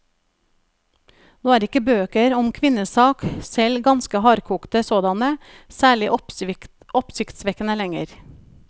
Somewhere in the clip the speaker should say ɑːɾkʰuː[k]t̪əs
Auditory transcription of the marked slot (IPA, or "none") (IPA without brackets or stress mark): k